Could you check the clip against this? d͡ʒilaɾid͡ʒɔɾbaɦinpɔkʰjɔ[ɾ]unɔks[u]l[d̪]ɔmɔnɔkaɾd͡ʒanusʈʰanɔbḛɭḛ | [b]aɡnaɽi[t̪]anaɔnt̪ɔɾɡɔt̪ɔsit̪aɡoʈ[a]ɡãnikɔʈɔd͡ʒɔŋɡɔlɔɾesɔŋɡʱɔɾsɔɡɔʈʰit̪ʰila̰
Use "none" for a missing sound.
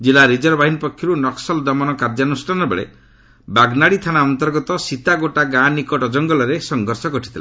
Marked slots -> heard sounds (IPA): ɾ, ɔ, d̪, b, t̪ʰ, a

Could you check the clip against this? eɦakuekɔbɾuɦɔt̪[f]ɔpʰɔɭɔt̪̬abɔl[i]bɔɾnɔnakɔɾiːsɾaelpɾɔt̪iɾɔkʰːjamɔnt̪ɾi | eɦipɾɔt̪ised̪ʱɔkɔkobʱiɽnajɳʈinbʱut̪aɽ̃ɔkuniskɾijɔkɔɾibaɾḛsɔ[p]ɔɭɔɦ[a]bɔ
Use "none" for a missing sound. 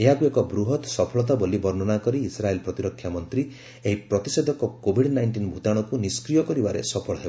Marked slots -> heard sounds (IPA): s, i, pʰ, e

